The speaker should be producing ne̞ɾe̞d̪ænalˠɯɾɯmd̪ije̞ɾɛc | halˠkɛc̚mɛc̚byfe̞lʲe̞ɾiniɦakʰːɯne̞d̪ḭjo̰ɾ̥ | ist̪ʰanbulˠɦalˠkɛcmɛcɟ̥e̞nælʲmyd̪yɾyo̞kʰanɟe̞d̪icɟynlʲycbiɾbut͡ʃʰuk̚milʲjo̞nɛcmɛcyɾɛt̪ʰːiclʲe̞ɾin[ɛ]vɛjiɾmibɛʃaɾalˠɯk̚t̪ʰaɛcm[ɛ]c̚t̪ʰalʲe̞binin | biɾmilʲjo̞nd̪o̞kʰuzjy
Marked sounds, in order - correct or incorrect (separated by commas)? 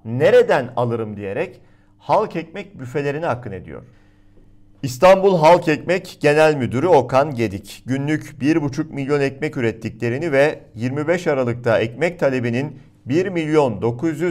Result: incorrect, correct